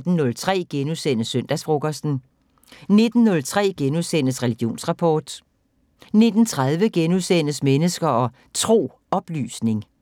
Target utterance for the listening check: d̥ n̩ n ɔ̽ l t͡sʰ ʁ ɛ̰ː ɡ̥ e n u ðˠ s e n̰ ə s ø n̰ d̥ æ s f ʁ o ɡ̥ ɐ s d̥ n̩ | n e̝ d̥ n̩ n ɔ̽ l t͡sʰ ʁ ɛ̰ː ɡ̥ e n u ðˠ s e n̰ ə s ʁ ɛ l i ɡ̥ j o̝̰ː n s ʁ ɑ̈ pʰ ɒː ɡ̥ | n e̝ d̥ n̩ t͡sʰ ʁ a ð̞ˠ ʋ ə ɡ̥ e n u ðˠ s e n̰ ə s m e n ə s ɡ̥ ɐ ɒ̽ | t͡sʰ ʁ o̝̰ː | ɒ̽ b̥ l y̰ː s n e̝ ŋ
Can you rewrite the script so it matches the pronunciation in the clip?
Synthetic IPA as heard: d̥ n̩ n ɔ̽ l t͡sʰ ʁ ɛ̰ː ɡ̥ e n u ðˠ s e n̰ ə s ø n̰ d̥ æ s f ʁ o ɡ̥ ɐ s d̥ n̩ | n e̝ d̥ n̩ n ɔ̽ l t͡sʰ ʁ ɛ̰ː ɡ̥ e n u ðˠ s e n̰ ə s ʁ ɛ l i ɡ̥ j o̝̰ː n s ʁ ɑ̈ pʰ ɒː d̥ | n e̝ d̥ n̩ t͡sʰ ʁ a ð̞ˠ ʋ ə ɡ̥ e n u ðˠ s e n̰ ə s m e n ə s ɡ̥ ɐ ɒ̽ | t͡sʰ ʁ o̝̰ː | ɒ̽ b̥ l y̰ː s n e̝ ŋ